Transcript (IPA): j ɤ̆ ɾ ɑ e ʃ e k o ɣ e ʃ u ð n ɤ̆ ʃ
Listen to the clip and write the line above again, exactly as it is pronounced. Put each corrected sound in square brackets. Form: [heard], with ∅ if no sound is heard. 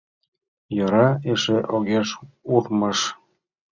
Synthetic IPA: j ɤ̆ ɾ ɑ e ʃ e [ʔ] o ɣ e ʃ u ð [m] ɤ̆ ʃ